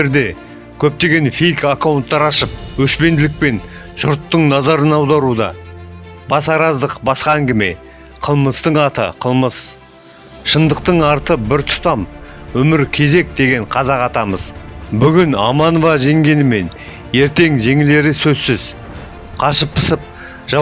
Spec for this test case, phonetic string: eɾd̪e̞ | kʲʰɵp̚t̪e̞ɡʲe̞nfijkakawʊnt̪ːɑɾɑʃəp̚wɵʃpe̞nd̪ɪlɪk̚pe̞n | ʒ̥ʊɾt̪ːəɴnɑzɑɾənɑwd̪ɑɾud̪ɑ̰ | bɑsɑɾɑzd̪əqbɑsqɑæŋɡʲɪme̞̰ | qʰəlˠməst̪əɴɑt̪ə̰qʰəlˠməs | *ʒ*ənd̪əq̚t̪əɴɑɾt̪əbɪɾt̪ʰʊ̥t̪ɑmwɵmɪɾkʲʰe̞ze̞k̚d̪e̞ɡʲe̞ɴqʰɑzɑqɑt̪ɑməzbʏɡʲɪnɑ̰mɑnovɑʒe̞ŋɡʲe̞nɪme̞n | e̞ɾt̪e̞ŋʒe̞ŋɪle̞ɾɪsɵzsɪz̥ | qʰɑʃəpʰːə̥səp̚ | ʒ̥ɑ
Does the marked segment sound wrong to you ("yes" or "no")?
yes